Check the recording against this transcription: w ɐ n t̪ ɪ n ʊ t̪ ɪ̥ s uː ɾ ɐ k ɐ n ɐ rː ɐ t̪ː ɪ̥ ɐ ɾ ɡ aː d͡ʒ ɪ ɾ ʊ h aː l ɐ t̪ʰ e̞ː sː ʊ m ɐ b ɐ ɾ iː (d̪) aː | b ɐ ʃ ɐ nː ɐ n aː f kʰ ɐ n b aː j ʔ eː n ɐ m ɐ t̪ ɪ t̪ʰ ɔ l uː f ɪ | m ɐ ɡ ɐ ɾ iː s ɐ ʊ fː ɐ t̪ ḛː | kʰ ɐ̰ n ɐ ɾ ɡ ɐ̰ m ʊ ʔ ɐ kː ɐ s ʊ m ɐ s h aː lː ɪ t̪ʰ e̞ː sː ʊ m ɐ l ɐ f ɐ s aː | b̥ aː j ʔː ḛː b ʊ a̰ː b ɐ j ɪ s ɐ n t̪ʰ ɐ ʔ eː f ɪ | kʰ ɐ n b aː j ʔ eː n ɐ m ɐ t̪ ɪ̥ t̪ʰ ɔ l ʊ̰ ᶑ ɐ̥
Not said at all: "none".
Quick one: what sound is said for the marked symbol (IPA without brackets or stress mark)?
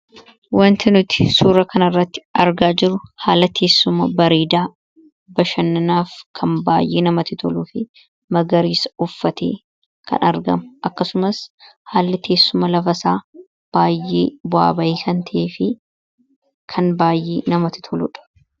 d̪